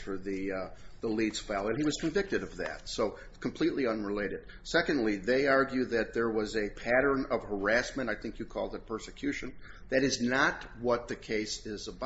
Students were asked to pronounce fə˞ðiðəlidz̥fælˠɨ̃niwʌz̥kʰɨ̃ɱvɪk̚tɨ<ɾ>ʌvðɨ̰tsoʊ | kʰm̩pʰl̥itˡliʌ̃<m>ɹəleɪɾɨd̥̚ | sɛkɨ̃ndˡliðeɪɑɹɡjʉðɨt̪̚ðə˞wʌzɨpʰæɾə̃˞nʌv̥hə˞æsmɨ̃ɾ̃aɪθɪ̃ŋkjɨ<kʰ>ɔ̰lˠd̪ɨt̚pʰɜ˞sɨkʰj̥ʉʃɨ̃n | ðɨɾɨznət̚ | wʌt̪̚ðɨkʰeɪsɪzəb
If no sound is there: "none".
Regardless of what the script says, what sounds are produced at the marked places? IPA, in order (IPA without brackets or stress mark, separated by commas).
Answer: ɾ, n, kʰ